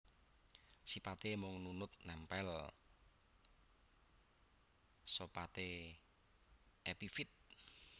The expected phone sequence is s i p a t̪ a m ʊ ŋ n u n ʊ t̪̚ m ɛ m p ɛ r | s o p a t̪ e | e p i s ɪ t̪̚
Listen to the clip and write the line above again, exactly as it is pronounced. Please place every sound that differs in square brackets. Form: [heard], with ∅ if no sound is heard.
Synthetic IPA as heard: s i p a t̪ [e] m ʊ ŋ n u n ʊ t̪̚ [n] ɛ m p ɛ [l] | s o p a t̪ e | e p i [f] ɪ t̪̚